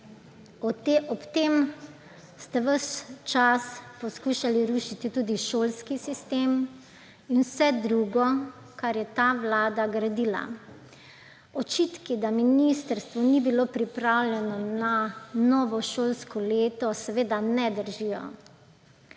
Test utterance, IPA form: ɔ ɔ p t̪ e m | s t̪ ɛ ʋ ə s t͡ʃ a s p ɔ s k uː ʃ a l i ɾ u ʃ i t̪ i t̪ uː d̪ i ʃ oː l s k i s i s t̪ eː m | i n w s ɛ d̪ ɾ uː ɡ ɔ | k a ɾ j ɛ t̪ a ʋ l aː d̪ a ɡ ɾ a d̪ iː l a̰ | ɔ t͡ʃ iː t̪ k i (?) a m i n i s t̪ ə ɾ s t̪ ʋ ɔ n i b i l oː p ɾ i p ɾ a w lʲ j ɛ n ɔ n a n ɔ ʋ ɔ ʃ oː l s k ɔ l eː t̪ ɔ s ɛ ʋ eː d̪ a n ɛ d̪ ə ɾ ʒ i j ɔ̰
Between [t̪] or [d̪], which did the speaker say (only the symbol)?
d̪